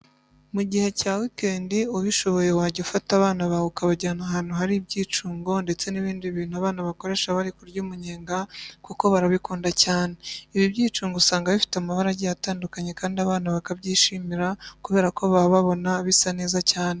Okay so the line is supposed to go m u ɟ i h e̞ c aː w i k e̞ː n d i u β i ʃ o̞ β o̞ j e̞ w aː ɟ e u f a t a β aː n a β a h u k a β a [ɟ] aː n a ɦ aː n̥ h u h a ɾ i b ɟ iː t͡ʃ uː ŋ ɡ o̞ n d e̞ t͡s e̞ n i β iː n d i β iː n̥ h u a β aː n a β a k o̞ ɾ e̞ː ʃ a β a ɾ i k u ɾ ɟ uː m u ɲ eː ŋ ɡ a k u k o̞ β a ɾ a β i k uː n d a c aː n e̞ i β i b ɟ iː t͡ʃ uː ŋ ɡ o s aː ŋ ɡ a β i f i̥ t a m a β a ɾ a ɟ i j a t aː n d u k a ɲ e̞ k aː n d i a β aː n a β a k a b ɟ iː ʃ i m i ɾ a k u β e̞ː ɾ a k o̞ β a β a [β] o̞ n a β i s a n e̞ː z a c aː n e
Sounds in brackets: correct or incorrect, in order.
correct, correct

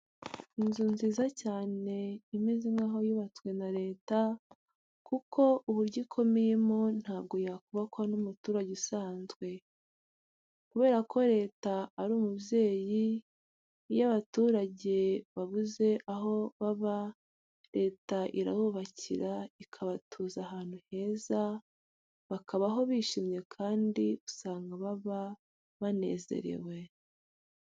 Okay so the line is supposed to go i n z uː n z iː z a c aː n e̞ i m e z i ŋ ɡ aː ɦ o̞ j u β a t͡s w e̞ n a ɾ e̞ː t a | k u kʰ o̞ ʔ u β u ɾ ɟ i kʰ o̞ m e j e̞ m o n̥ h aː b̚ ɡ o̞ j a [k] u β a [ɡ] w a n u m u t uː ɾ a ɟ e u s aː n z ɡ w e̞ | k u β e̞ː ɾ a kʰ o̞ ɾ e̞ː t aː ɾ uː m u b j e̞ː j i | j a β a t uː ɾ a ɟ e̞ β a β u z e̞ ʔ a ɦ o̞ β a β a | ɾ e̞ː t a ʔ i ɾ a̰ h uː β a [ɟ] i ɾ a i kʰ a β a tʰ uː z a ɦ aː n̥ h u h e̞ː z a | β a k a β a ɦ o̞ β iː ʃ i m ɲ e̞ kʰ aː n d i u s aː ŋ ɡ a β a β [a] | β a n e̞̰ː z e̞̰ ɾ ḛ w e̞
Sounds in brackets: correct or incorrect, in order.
correct, incorrect: k, incorrect: c, correct

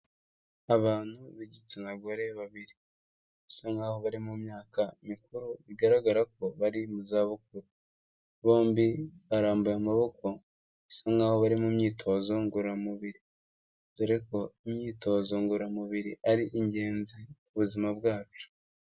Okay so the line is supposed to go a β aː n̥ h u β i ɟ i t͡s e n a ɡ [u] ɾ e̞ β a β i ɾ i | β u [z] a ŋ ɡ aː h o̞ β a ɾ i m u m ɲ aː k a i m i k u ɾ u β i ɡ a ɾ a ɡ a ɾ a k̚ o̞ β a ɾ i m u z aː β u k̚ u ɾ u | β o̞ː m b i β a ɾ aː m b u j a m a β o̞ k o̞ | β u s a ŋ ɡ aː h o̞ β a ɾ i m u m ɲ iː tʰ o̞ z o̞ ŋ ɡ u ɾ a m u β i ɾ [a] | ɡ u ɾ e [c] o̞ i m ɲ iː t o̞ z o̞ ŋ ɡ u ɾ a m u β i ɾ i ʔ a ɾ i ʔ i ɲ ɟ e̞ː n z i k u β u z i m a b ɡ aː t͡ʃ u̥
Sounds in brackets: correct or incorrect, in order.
incorrect: o, incorrect: s, incorrect: i, incorrect: k

